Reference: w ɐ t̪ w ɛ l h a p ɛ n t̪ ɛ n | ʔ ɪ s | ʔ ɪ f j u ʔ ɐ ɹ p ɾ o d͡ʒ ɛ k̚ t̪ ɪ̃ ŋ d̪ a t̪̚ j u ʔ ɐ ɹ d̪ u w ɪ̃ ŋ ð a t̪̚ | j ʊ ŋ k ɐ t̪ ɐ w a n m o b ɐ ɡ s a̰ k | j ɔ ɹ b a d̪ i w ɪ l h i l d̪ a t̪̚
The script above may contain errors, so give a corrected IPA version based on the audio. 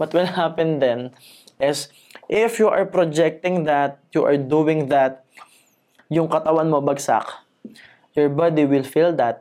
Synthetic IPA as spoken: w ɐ t̪ w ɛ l h a p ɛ n d̪ ɛ n | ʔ ɪ s | ʔ ɪ f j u ʔ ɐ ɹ p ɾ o d͡ʒ ɛ k̚ t̪ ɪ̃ ŋ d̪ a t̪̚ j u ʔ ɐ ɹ d̪ u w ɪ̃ ŋ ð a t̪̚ | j ʊ ŋ k ɐ t̪ ɐ w a n m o b ɐ ɡ s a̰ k | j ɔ ɹ b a d̪ i w ɪ l f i l d̪ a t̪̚